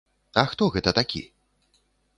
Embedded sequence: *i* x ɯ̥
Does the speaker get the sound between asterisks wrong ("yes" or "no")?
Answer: yes